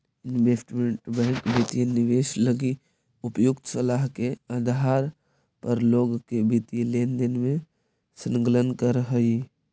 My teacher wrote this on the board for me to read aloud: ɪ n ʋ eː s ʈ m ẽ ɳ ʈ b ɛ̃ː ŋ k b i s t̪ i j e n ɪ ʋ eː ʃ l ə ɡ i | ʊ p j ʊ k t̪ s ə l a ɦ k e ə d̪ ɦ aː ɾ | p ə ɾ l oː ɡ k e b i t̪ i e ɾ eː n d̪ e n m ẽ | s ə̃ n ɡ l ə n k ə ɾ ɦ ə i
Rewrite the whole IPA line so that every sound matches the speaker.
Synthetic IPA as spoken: ɪ n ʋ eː s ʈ m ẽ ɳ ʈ b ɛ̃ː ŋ k b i t̪ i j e n ɪ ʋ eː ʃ l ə ɡ i | ʊ p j ʊ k t̪ s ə l a ɦ k e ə d̪ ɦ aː ɾ | p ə ɾ l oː ɡ k e b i t̪ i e l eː n d̪ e n m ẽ | s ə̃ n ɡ l ə n k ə ɾ ɦ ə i